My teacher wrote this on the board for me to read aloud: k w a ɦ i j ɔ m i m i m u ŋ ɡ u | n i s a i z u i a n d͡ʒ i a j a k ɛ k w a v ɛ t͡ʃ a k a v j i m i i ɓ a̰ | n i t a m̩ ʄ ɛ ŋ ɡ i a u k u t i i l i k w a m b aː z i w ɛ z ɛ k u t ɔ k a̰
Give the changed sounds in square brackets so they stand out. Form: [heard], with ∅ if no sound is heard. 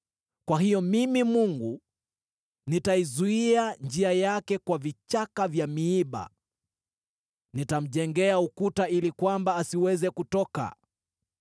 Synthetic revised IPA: k w a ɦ i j ɔ m i m i m u ŋ ɡ u | n i [t] a i z u i a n d͡ʒ i a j a k ɛ k w a v [i] t͡ʃ a k a v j [a] m i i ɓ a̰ | n i t a m̩ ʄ ɛ ŋ ɡ [ɛ] a u k u t [a] i l i k w a m b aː [s] i w ɛ z ɛ k u t ɔ k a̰